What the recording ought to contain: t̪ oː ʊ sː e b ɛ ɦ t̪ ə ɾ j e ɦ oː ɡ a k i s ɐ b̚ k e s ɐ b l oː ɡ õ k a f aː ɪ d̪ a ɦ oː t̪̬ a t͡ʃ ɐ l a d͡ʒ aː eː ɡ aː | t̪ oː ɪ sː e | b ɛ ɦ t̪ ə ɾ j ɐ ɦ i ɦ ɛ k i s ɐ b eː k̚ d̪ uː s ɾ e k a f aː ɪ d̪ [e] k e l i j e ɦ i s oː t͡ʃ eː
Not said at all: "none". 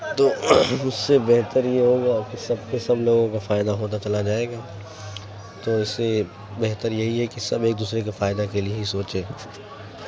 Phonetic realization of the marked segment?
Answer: a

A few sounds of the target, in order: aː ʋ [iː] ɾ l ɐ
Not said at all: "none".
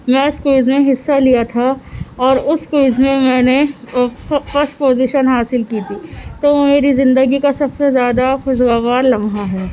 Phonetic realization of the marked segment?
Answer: aː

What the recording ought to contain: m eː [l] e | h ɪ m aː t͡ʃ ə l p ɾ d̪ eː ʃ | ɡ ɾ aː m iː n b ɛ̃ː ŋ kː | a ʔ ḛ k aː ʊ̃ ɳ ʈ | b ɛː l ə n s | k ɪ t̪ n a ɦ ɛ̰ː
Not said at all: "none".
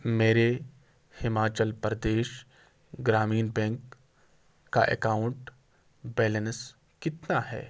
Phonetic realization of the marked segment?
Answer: ɾ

